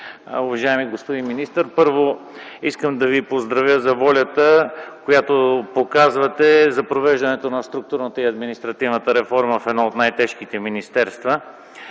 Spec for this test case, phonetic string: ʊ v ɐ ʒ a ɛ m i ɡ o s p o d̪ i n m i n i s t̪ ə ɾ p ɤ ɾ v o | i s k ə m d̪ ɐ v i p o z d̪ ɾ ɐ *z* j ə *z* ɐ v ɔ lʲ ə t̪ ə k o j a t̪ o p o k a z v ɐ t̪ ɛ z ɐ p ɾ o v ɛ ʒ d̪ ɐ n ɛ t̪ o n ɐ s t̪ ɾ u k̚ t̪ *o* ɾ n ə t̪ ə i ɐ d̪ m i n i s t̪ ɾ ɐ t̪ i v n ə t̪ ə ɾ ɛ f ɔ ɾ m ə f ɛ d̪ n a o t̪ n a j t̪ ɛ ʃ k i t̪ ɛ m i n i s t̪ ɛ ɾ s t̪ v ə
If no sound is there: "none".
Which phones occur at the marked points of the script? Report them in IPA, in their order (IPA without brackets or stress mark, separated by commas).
v, z, u